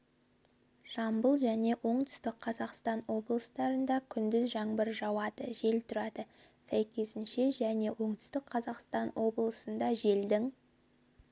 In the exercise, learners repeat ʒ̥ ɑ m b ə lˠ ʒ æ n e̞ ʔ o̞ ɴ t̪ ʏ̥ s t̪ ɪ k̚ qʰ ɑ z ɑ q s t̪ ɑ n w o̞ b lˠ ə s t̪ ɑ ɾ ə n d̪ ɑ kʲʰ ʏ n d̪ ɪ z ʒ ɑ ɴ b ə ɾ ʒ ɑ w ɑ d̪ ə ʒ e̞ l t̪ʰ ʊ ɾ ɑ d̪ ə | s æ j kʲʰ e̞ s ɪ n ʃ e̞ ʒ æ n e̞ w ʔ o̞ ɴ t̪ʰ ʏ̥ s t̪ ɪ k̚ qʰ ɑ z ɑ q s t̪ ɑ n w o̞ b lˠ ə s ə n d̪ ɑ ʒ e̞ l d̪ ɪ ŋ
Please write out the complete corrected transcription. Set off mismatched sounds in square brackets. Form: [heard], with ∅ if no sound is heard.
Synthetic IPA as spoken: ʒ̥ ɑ m b ə lˠ ʒ æ n e̞ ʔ o̞ ɴ t̪ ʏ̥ s t̪ ɪ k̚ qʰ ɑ z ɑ q s t̪ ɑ n w o̞ b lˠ ə s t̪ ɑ ɾ ə n d̪ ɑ kʲʰ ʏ n d̪ ɪ z ʒ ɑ ɴ b ə ɾ ʒ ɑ w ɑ d̪ ə ʒ e̞ l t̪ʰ ʊ ɾ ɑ d̪ ə | s æ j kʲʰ e̞ s ɪ n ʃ e̞ ʒ æ n e̞ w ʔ o̞ ɴ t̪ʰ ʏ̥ s t̪ ɪ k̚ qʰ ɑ z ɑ q s t̪ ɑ n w o̞ b lˠ ə s ə n d̪ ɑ ʒ e̞ l d̪ ɪ ŋ